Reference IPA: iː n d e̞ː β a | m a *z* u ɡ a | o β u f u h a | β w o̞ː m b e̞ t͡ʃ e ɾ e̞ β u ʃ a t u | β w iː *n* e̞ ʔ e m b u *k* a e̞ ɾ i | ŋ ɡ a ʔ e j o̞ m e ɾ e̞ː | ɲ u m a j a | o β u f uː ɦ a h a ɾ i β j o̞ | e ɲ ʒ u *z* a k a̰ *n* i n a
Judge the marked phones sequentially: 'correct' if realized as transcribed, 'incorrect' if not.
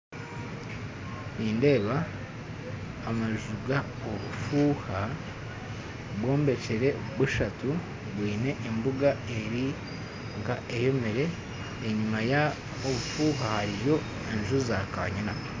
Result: incorrect, correct, incorrect, correct, incorrect

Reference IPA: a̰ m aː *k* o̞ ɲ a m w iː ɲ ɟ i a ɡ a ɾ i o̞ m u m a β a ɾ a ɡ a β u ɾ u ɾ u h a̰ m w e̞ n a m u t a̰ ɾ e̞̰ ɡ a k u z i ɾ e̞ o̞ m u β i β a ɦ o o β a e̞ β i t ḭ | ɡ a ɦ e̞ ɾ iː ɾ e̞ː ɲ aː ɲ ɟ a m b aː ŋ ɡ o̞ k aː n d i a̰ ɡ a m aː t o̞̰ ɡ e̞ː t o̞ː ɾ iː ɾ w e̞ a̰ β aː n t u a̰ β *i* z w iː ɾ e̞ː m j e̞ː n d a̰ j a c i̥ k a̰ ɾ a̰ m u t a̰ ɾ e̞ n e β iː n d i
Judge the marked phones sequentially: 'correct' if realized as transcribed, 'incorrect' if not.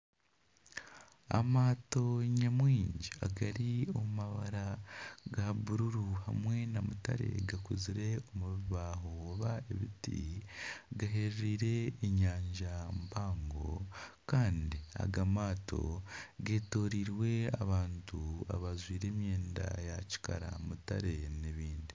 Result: incorrect, incorrect

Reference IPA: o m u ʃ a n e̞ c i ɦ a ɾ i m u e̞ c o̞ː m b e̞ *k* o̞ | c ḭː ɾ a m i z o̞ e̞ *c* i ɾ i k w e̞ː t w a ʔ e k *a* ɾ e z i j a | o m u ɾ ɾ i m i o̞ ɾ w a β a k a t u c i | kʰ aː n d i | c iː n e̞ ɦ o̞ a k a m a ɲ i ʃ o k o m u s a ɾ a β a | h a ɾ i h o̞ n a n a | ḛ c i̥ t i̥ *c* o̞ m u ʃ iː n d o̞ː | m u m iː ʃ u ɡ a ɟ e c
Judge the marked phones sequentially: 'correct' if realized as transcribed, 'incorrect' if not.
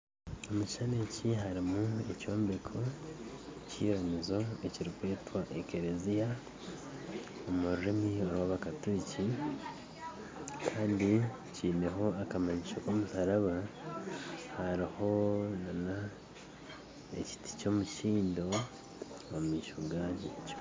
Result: incorrect, correct, incorrect, correct

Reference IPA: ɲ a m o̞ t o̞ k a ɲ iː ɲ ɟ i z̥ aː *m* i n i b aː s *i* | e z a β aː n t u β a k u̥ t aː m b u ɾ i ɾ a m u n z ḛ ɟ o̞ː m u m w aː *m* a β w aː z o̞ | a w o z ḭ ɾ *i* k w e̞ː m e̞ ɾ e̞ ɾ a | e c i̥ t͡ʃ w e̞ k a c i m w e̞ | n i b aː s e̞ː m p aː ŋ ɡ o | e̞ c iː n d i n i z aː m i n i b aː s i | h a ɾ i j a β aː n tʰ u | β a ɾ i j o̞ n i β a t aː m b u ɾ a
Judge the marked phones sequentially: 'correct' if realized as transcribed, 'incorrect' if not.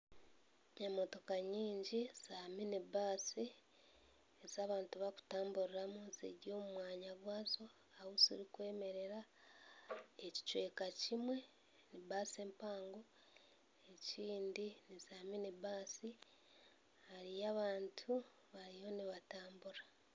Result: correct, correct, incorrect, correct

